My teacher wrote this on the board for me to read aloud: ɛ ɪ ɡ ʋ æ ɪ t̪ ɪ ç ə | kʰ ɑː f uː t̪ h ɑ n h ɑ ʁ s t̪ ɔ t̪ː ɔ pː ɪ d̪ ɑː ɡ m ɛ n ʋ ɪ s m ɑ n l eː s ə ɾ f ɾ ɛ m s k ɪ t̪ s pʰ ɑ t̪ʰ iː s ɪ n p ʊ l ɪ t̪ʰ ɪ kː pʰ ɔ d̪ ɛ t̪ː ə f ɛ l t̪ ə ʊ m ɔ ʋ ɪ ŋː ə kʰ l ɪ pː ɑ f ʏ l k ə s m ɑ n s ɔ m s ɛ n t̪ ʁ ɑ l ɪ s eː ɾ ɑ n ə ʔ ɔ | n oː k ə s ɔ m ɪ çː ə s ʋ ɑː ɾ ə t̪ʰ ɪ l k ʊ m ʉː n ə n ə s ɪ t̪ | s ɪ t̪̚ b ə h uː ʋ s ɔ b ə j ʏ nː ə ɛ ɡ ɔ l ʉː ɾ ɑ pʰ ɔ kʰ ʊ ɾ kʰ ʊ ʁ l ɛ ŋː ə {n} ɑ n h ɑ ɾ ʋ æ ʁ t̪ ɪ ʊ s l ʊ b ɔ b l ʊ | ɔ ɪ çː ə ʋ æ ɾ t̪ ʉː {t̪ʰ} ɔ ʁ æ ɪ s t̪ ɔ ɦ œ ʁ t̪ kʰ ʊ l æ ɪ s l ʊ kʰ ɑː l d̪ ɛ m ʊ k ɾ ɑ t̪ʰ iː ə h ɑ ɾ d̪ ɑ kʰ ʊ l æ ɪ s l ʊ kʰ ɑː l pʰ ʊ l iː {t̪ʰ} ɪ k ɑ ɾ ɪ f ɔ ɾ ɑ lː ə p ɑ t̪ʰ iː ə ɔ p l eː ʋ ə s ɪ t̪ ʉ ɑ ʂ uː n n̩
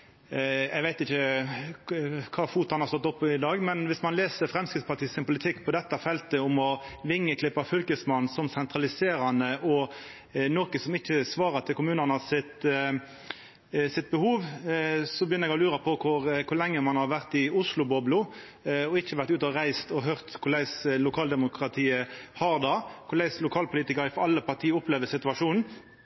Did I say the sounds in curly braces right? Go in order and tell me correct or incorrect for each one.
incorrect: m, incorrect: t̪, incorrect: t̪

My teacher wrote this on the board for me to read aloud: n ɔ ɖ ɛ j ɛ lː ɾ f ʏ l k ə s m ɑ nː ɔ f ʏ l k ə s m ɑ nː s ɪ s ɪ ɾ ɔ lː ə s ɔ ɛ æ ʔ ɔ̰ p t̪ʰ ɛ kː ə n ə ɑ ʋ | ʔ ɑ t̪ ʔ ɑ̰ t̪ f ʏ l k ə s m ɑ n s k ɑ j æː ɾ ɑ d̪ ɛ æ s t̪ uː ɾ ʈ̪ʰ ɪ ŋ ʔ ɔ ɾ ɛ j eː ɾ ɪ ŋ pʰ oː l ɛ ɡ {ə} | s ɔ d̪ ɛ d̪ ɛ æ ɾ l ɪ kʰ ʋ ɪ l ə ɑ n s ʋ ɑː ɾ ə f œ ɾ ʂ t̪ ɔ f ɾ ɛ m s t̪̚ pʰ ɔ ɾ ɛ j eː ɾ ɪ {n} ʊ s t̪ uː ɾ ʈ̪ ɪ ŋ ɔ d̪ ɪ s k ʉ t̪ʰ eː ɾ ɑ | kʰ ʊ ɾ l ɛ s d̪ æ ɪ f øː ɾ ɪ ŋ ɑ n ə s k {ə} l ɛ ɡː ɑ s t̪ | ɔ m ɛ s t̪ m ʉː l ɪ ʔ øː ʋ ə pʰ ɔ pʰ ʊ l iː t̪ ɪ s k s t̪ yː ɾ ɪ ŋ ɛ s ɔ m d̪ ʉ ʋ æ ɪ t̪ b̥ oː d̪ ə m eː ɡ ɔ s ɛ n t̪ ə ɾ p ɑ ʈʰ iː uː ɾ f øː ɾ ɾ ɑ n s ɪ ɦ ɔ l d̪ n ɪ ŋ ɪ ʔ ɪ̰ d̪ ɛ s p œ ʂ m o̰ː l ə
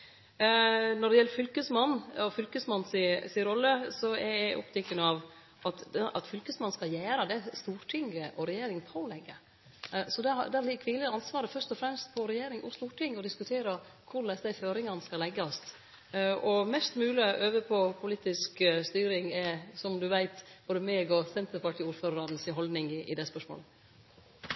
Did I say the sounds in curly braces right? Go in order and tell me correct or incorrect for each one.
correct, incorrect: ŋ, incorrect: ɑ

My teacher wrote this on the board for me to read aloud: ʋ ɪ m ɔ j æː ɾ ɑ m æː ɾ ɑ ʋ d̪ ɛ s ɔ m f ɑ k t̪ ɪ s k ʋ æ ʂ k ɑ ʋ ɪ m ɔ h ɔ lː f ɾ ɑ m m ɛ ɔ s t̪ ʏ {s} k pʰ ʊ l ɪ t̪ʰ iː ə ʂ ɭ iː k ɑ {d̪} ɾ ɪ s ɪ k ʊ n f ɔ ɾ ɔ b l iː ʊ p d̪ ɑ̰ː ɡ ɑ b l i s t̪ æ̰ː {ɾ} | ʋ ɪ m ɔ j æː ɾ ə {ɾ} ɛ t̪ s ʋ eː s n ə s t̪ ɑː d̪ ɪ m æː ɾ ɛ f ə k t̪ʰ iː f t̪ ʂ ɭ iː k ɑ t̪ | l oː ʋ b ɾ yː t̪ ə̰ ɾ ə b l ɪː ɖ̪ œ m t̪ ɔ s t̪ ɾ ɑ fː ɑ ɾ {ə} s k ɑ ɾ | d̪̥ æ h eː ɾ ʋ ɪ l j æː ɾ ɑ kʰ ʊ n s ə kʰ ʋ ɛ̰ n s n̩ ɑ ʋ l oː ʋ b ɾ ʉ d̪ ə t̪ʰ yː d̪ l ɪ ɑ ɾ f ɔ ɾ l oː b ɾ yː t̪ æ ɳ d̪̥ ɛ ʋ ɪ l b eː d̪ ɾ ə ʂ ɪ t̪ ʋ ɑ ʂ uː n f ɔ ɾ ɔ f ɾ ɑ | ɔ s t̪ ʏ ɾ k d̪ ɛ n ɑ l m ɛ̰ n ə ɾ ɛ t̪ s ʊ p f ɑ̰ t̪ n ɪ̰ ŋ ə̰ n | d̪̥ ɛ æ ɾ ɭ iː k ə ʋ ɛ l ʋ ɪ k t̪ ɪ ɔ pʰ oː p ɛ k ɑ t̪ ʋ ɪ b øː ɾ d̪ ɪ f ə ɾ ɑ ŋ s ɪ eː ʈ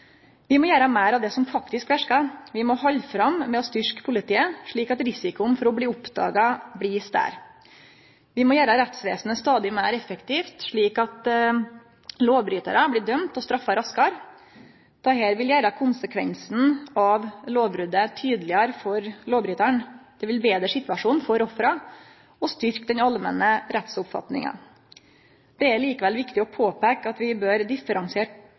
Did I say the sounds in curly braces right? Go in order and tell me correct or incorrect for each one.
incorrect: ʂ, incorrect: t̪, correct, correct, incorrect: ɑ

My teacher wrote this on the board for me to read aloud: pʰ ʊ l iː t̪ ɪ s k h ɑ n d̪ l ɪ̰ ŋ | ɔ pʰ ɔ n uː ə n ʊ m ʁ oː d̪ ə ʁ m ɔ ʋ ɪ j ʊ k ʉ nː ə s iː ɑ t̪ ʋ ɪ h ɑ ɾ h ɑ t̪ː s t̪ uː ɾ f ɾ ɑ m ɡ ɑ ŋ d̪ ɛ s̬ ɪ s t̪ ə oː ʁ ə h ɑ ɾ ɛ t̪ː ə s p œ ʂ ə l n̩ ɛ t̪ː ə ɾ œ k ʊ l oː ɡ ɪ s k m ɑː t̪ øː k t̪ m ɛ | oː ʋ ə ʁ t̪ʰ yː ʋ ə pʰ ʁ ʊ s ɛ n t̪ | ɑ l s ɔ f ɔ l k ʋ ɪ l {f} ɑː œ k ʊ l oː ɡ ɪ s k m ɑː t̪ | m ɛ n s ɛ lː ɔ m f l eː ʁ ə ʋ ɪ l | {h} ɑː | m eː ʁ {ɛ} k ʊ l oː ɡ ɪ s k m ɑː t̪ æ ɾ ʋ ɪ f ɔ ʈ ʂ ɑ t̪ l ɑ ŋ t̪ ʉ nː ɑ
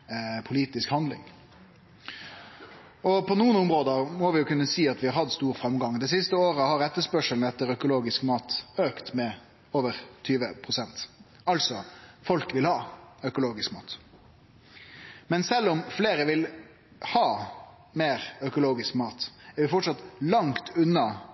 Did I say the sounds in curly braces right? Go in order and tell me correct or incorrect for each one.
incorrect: h, correct, incorrect: œ

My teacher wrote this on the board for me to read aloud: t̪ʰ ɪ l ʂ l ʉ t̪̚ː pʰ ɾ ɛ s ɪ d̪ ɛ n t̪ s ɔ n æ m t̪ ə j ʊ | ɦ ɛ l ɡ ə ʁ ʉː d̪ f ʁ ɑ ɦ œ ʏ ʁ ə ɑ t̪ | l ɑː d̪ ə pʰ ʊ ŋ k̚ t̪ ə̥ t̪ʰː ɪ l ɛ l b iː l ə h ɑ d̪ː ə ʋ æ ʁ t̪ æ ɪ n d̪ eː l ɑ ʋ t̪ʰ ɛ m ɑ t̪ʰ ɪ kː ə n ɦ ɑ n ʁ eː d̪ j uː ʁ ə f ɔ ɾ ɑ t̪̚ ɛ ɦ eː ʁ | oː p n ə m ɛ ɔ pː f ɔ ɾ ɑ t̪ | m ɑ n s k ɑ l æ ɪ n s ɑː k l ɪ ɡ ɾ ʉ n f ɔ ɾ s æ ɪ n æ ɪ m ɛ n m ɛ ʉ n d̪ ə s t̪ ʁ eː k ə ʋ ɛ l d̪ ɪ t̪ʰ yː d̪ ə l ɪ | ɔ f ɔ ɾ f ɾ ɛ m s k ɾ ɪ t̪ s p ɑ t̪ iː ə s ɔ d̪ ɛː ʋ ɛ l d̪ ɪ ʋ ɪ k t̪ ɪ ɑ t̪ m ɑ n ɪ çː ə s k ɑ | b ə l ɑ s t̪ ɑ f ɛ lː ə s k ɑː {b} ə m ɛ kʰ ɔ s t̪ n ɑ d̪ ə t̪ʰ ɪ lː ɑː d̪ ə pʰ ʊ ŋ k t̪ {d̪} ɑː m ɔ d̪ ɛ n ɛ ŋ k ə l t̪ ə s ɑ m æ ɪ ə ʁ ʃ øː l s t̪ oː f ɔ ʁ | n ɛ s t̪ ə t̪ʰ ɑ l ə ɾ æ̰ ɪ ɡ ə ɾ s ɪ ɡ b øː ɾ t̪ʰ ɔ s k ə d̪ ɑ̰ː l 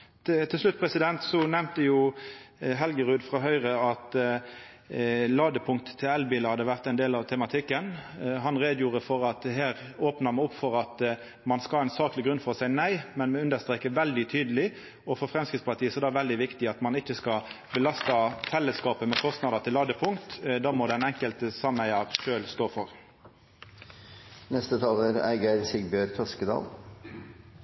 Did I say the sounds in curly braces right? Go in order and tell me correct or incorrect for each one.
incorrect: p, correct

